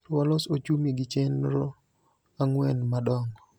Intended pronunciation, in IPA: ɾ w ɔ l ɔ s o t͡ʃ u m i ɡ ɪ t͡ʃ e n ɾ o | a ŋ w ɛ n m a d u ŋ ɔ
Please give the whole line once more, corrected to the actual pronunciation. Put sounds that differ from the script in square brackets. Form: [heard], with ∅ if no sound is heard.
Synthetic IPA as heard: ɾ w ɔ l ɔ s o t͡ʃ u m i ɡ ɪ t͡ʃ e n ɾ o | a ŋ w ɛ n m a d [ɔ] ŋ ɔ